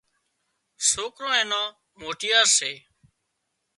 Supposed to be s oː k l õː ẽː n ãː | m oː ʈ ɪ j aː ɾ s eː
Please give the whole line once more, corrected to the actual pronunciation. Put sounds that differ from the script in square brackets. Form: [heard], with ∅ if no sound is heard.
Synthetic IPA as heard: s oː k [ɾ] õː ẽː n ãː | m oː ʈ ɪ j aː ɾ s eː

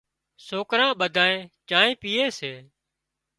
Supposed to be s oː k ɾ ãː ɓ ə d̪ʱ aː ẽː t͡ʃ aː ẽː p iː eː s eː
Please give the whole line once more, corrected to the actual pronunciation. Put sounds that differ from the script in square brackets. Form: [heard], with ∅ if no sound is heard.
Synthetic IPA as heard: s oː k ɾ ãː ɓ ə d̪ʱ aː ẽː t͡ʃ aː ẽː p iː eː s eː

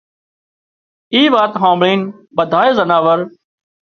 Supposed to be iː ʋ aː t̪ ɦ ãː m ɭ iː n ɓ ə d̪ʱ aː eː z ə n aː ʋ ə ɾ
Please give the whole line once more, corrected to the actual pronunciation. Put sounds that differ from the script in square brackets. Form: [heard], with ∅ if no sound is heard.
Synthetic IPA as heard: iː ʋ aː t̪ ɦ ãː m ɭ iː n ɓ ə d̪ʱ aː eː z ə n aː ʋ ə ɾ

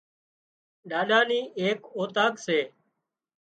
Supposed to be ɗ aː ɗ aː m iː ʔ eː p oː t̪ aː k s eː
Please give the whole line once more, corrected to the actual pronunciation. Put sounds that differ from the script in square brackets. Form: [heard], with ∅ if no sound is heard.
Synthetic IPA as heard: ɗ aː ɗ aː [n] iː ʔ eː [k] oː t̪ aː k s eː

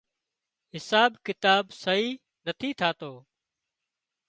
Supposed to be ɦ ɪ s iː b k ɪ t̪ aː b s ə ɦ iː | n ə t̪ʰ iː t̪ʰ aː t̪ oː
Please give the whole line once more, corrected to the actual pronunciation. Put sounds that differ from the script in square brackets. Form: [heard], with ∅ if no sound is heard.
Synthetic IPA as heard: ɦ ɪ s [aː] b k ɪ t̪ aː b s ə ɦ iː | n ə t̪ʰ iː t̪ʰ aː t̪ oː

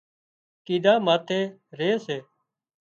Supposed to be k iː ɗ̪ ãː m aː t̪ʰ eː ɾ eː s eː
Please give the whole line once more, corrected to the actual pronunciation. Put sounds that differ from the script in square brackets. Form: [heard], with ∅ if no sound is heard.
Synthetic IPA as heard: k iː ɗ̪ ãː m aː t̪ʰ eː ɾ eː s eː

